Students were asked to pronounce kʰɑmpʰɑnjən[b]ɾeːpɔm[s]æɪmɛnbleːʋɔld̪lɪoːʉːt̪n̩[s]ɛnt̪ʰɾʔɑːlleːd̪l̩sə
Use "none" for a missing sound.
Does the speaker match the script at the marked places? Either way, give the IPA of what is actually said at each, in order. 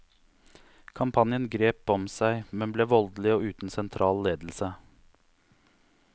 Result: ɡ, s, s

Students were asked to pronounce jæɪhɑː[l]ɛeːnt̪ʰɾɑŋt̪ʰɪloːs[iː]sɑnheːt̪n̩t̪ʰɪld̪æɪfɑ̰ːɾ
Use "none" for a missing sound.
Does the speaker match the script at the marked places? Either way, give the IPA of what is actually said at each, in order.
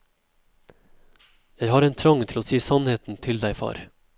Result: ɾ, iː

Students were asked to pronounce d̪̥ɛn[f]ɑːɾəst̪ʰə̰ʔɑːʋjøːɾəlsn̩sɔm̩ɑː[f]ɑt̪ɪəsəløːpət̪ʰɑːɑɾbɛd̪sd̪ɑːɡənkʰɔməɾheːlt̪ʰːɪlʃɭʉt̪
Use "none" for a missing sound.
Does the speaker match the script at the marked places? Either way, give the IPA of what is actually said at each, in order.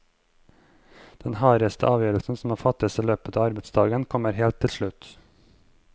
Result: h, f

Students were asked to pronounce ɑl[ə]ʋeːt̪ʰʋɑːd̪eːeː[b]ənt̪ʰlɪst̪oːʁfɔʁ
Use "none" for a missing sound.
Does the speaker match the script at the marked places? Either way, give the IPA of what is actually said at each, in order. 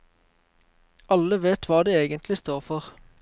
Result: ə, ɡ

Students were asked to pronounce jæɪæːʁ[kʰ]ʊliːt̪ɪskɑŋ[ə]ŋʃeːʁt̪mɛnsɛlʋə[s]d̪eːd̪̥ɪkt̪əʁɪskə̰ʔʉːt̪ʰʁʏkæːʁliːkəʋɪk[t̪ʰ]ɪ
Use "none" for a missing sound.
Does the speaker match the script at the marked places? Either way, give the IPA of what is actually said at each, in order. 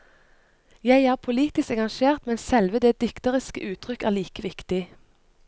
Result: pʰ, ɑ, none, t̪

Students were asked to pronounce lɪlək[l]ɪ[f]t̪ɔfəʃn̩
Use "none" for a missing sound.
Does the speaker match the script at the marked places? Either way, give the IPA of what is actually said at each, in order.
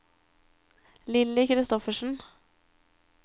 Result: ɾ, s

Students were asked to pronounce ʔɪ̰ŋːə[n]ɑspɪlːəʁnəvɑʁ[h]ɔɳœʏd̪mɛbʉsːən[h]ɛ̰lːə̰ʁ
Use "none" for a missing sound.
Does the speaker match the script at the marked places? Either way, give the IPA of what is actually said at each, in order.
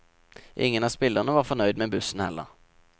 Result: n, f, h

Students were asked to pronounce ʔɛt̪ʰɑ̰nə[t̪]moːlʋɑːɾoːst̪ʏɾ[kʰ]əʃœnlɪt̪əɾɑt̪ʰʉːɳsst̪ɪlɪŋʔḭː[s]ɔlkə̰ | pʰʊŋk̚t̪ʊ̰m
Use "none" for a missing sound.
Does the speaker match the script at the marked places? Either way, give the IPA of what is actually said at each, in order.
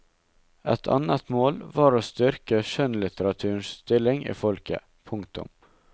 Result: t̪, k, f

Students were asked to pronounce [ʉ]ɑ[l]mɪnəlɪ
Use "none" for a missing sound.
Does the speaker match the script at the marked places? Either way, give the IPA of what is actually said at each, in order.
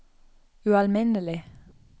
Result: ʉ, l

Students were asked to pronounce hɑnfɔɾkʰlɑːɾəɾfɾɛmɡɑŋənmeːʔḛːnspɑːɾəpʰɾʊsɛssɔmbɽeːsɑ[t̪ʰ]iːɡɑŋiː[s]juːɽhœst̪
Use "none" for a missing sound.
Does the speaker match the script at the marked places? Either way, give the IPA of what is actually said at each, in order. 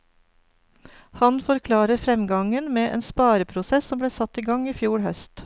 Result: t̪, f

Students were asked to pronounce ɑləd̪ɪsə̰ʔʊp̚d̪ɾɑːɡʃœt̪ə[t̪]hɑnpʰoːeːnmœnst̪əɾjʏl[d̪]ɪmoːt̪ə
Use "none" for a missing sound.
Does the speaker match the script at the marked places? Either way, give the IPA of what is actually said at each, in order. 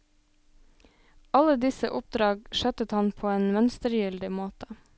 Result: t̪, d̪

